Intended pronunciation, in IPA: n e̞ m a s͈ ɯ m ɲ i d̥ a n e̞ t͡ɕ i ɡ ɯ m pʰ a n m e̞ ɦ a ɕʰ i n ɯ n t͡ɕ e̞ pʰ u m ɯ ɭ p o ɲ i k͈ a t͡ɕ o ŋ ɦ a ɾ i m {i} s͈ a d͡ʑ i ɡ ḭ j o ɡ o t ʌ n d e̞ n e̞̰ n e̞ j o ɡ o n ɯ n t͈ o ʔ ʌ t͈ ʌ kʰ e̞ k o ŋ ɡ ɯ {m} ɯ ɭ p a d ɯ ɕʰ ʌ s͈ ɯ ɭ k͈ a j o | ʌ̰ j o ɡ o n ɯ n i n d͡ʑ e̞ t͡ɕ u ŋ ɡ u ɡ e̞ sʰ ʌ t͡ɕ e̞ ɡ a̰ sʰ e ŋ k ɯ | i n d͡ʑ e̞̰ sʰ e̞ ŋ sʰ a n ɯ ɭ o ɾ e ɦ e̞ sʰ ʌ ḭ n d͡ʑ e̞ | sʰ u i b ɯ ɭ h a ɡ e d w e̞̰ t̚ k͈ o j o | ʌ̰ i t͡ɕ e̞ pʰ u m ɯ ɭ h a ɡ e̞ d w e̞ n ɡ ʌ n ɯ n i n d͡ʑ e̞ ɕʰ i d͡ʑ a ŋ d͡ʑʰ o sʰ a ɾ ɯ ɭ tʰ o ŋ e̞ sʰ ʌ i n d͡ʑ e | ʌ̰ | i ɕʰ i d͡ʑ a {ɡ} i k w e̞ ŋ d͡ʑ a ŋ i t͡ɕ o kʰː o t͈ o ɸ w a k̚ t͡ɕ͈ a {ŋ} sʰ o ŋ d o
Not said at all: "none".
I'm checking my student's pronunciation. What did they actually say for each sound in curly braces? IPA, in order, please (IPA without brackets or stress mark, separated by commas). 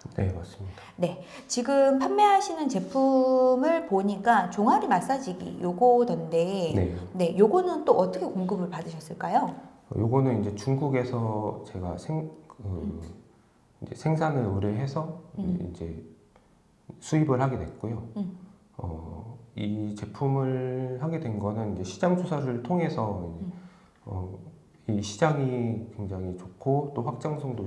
a, b, ŋ, ŋ